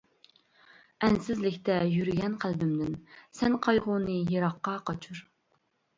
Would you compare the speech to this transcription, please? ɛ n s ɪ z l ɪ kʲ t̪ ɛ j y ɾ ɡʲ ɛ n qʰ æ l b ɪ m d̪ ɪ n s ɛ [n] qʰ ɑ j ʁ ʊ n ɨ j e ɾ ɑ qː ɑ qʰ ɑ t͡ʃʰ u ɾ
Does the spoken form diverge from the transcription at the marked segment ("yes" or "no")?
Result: no